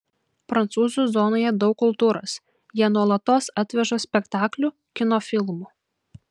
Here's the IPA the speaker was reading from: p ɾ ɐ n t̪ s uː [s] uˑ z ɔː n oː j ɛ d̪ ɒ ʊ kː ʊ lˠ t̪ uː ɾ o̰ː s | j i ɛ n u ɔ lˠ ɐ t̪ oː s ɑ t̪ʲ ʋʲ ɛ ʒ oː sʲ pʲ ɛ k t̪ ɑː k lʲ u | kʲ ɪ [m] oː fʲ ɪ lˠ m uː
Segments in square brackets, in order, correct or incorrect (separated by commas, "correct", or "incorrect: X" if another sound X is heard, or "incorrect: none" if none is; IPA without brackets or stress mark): incorrect: z, incorrect: n